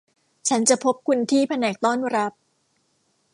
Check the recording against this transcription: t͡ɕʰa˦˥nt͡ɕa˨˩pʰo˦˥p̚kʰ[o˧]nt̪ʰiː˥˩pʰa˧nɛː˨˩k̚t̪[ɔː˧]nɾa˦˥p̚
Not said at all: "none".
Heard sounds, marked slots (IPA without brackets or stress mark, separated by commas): u˧, ɔː˥˩